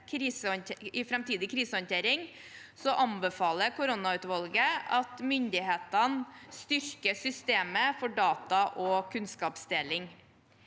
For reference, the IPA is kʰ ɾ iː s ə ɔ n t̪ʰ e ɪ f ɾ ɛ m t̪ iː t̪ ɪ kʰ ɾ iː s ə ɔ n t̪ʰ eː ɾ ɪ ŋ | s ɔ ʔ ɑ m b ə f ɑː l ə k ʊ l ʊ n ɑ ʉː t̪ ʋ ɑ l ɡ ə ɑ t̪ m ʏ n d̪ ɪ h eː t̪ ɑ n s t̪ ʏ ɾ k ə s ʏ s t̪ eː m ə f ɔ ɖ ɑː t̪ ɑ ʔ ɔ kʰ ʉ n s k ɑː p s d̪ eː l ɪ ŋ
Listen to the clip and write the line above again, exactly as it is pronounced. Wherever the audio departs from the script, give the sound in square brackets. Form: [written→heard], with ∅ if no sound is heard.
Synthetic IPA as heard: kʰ ɾ iː s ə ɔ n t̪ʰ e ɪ f ɾ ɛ m t̪ iː [t̪→d̪] ɪ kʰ ɾ iː s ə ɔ n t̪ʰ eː ɾ ɪ ŋ | s ɔ ʔ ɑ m b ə f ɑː l ə k ʊ [l→ɾ] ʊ n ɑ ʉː t̪ ʋ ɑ l ɡ ə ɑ t̪ m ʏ n d̪ ɪ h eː t̪ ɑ n s t̪ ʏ ɾ k ə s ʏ s t̪ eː m ə f ɔ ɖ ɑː t̪ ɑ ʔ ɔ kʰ ʉ n s k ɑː p s d̪ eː l ɪ ŋ